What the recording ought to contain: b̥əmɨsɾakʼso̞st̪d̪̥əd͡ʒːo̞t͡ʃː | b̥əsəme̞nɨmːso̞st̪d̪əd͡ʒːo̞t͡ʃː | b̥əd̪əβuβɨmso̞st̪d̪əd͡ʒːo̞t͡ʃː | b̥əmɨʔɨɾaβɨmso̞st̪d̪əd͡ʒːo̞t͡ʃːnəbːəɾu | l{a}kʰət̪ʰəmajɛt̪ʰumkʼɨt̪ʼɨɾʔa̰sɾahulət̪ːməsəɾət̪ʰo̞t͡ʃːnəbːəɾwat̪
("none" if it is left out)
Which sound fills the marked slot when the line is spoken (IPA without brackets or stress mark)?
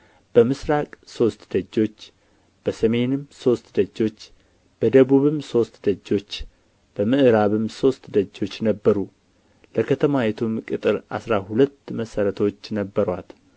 ə